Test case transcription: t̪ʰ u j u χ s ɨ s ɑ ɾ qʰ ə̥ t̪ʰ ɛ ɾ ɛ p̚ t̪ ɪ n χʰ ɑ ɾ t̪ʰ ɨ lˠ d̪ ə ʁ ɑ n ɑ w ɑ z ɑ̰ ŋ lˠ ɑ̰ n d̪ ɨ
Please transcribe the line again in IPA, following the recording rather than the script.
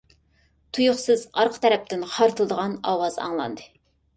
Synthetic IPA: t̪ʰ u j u χ s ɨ z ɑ ɾ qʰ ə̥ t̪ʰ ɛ ɾ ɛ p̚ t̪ ɪ n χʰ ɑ ɾ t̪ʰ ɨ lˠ d̪ ə ʁ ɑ n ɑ w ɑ z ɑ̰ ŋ lˠ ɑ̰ n d̪ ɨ